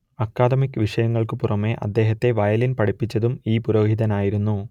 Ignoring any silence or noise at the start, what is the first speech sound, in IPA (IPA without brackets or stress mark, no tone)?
ɐ